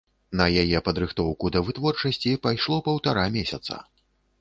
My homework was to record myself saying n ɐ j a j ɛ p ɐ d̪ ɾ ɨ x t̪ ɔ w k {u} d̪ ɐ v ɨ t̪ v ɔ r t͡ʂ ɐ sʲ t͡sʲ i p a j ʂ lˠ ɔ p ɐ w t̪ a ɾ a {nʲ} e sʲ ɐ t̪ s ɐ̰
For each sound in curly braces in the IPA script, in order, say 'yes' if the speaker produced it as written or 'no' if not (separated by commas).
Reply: yes, no